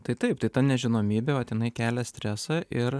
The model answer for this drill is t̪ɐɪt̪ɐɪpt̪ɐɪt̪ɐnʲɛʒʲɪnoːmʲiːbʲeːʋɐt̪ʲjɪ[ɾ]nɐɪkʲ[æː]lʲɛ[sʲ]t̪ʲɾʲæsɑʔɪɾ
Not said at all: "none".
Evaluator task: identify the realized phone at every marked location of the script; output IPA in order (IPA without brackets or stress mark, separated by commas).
none, æː, sʲ